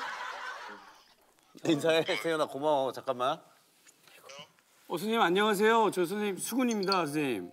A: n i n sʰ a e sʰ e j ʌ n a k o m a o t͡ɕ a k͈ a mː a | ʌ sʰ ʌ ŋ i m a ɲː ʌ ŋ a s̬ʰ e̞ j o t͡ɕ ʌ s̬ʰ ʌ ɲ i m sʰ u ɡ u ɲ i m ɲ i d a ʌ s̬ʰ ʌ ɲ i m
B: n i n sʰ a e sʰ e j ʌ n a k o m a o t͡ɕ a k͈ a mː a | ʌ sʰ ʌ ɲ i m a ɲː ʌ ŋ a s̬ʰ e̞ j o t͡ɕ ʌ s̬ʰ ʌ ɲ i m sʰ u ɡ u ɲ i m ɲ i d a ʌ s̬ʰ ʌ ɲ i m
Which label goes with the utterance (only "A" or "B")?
B